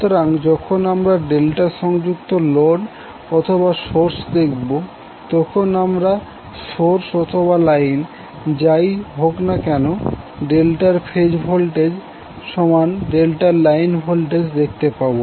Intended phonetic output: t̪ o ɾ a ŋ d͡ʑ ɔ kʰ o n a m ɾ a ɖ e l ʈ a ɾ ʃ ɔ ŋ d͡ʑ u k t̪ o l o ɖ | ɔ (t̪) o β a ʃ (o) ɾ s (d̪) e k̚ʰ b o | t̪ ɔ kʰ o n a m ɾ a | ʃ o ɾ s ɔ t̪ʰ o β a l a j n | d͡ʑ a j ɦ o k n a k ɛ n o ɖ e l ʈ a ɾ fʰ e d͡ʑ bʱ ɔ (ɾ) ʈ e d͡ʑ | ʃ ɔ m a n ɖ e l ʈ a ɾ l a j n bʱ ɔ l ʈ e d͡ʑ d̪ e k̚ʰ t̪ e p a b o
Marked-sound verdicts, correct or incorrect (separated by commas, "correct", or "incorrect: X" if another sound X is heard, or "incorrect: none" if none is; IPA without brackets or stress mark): incorrect: t̪ʰ, correct, correct, incorrect: l